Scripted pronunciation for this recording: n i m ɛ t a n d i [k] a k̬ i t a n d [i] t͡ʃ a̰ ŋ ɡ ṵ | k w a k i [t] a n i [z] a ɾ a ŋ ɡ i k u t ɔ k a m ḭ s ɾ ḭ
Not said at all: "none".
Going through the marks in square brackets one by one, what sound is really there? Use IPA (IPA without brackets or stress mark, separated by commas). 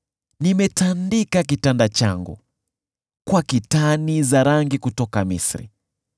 k, a, t, z